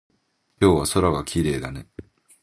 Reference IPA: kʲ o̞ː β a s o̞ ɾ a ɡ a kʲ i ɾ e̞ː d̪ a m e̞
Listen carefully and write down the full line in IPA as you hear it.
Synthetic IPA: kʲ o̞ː β a s o̞ ɾ a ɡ a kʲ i ɾ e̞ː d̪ a n e̞